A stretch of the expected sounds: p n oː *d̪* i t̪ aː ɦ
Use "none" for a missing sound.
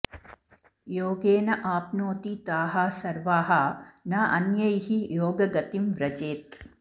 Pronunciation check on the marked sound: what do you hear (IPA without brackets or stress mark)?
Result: t̪